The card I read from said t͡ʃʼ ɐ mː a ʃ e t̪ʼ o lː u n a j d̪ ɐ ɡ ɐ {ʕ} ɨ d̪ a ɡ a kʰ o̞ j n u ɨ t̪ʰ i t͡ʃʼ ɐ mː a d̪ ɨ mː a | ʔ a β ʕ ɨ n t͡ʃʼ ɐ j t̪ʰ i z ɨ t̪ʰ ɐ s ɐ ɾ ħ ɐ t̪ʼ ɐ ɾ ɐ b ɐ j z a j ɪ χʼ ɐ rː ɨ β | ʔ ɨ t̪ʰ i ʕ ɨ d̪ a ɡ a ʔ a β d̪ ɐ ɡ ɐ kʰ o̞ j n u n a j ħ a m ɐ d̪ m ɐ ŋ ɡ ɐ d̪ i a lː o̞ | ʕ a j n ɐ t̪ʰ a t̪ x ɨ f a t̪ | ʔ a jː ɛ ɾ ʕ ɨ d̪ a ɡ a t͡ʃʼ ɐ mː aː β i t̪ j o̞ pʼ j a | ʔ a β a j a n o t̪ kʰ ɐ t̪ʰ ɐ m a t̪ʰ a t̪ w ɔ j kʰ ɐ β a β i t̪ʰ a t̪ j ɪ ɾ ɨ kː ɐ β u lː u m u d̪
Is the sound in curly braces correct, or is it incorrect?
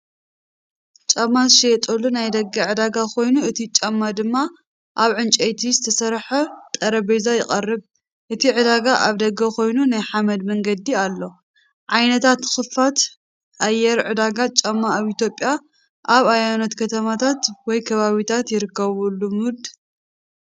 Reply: correct